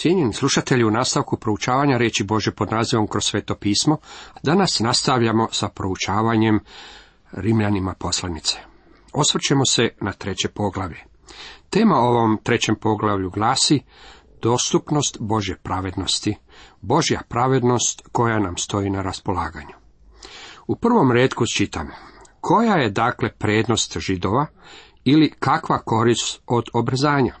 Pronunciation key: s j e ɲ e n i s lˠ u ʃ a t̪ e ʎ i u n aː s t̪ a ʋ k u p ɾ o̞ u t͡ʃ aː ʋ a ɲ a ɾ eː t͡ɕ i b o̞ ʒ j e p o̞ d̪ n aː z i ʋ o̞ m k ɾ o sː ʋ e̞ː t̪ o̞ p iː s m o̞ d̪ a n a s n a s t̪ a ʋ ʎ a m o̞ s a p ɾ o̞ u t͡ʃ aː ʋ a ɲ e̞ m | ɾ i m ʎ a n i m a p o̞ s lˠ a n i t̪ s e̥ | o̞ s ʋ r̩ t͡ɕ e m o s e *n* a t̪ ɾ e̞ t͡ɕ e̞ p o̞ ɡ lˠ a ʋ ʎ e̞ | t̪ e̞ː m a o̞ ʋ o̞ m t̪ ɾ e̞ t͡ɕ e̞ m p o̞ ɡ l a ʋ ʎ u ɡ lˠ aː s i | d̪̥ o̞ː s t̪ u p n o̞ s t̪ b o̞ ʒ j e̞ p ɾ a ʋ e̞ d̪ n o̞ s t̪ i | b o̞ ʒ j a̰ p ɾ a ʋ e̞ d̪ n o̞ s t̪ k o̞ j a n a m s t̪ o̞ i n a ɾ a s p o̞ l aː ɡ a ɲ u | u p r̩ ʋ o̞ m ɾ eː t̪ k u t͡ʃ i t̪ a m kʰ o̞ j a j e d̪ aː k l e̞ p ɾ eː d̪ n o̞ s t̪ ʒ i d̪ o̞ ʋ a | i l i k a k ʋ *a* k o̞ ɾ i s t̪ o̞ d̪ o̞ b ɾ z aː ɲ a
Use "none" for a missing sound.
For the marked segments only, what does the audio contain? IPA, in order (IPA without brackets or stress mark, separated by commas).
n, a